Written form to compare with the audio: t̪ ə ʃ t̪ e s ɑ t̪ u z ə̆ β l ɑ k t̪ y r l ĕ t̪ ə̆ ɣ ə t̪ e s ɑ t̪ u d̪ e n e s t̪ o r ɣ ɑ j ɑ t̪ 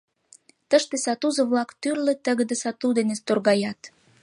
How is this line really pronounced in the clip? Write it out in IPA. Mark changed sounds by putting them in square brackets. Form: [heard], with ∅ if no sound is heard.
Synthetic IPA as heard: t̪ ə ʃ t̪ e s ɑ t̪ u z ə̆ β l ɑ k t̪ y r l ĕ t̪ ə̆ ɣ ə [d̪] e s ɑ t̪ u d̪ e n e s t̪ o r ɣ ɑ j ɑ t̪